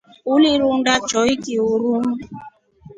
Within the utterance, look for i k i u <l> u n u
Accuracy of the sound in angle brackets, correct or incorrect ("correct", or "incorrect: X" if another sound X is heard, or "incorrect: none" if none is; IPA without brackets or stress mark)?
incorrect: ɾ